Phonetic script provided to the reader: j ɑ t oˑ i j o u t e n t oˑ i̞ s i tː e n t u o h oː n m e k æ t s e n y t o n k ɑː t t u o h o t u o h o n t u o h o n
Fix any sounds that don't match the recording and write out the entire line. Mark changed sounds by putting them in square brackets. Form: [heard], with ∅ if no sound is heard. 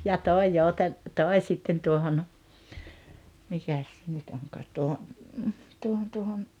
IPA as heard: j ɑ t oˑ i j o u t e n t oˑ i̞ s i tː e n t u o h [o] n m [i] k æ [s] s e n y t o [ŋ] k ɑː t t u o h o t u o h o n t u o h o n